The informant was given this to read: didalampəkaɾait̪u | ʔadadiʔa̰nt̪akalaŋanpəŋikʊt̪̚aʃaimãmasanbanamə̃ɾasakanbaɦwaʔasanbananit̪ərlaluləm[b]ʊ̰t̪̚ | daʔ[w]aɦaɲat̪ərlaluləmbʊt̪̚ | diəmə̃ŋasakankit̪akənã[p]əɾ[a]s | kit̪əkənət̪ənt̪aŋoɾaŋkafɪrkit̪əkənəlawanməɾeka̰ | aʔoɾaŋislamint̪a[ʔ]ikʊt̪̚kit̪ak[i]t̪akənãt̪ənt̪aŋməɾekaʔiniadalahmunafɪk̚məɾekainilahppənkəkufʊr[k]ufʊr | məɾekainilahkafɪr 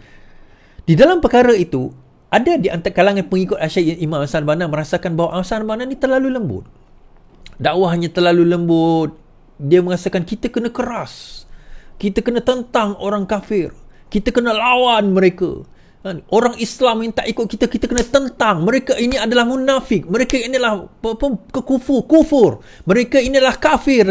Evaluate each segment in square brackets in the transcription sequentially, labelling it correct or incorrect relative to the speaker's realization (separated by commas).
correct, correct, incorrect, correct, correct, correct, correct